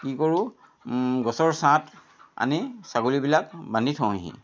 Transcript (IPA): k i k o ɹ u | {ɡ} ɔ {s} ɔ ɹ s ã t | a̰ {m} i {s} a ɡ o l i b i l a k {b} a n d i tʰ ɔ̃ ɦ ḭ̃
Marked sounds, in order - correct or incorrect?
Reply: correct, correct, incorrect: n, correct, correct

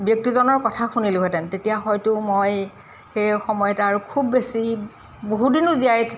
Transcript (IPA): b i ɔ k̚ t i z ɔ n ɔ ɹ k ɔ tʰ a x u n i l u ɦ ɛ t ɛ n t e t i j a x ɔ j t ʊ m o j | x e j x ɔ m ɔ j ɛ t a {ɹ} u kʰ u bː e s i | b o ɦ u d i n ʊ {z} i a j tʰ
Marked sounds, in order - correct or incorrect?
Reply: correct, correct

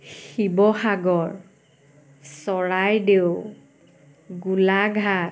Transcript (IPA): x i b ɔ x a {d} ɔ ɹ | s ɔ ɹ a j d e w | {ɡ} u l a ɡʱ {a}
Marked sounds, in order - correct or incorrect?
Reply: incorrect: ɡ, correct, correct

